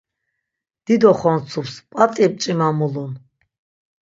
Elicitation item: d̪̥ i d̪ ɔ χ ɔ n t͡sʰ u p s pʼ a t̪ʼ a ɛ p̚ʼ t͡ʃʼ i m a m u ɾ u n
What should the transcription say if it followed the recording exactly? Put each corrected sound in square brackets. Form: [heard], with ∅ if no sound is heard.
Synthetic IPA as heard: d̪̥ i d̪ ɔ χ ɔ n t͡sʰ u p s pʼ a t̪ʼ [i] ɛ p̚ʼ t͡ʃʼ i m a m u [l] u n